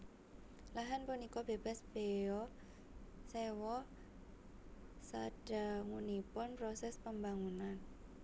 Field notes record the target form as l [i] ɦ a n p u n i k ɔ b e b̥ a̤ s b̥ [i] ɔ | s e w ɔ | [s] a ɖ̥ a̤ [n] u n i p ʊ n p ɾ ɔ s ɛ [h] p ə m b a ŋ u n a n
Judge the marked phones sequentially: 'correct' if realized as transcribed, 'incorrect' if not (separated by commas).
incorrect, incorrect, correct, incorrect, incorrect